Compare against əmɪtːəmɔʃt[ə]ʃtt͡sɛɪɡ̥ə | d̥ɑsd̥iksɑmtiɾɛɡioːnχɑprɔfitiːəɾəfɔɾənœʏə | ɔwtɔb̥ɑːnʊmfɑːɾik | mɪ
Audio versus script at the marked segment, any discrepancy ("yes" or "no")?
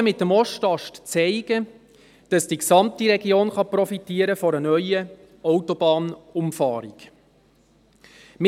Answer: yes